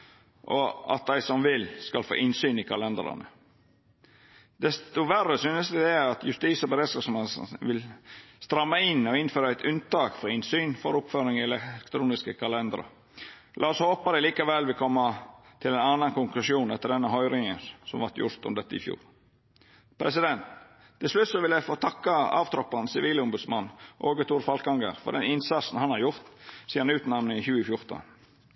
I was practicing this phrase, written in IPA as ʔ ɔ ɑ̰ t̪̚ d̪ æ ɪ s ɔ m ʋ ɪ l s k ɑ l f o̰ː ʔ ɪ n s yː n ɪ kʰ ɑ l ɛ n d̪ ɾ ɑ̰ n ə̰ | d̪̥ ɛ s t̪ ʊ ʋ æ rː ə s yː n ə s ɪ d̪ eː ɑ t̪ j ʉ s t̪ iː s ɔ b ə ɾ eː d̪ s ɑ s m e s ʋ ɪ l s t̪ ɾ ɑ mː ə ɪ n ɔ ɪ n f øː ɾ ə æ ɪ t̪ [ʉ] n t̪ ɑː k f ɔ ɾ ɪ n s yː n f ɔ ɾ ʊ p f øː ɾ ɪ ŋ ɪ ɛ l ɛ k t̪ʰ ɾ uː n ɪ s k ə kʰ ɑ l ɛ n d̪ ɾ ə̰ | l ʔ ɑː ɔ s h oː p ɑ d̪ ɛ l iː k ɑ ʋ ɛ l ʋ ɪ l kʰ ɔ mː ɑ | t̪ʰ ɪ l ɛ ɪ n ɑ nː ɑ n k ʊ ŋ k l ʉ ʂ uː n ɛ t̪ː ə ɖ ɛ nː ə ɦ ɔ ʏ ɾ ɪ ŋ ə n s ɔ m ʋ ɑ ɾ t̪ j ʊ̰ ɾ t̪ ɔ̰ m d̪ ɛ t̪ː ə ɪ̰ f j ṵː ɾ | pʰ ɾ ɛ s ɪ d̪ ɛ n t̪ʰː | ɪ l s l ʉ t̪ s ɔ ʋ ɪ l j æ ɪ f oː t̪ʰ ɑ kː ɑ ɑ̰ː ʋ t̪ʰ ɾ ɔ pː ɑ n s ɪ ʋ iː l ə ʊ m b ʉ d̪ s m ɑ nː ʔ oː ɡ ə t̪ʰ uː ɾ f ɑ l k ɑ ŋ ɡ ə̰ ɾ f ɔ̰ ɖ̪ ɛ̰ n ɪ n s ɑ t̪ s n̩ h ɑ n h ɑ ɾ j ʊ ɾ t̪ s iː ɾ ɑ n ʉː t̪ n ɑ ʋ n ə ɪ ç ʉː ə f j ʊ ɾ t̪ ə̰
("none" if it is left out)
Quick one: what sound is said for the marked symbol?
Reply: ʉ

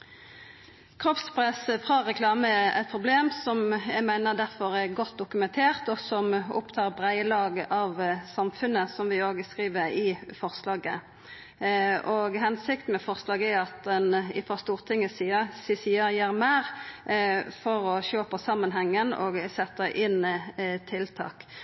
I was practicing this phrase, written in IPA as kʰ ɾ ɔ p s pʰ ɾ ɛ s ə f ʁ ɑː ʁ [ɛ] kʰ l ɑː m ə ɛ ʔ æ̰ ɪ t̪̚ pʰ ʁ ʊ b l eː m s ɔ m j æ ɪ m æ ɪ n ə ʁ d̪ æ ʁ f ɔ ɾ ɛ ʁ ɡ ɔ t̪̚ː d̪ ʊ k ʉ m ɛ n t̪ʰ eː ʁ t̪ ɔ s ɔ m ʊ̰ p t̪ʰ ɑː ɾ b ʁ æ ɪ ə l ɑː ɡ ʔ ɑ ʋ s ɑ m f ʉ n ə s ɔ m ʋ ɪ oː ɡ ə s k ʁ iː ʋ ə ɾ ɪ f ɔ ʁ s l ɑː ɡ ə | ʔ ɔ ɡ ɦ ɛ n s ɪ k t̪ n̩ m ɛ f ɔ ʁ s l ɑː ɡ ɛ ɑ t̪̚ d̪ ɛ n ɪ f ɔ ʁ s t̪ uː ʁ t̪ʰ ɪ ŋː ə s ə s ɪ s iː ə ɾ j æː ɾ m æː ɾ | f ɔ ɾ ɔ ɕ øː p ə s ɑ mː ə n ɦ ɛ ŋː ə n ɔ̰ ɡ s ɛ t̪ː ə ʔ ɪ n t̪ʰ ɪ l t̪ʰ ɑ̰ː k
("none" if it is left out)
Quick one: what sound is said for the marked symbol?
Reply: ɛ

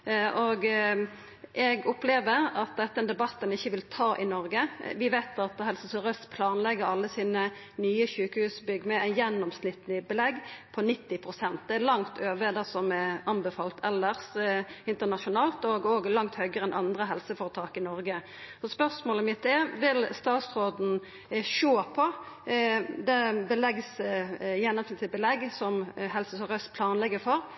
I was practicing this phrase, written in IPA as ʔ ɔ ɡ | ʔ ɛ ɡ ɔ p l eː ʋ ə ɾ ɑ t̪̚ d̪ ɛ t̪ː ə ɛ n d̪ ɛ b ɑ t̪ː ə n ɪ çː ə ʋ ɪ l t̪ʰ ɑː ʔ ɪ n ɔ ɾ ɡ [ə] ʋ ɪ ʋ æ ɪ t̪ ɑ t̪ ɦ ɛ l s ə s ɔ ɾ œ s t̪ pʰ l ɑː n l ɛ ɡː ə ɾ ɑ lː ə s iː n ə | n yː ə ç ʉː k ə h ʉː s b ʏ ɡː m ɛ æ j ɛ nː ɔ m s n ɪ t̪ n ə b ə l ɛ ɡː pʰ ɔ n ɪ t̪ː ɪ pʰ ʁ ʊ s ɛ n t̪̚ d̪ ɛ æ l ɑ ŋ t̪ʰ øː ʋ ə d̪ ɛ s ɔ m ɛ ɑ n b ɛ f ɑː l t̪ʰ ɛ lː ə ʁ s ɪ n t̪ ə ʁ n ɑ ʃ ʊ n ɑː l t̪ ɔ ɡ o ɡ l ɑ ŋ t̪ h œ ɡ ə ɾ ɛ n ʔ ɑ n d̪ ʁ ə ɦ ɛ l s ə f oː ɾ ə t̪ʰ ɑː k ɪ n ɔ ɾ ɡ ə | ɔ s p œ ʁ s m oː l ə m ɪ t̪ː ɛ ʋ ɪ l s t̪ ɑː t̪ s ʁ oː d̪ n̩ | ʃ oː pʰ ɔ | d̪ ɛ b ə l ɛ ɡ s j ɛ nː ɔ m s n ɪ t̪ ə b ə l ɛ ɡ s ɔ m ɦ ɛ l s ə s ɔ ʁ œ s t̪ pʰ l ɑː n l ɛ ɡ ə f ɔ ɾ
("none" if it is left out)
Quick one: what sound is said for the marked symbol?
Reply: ə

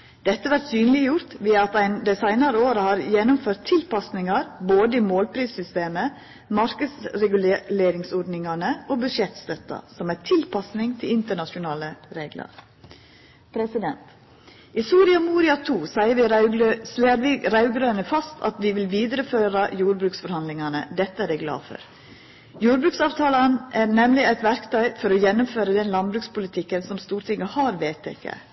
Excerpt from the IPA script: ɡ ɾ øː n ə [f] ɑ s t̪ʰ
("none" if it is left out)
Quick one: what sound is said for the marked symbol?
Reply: f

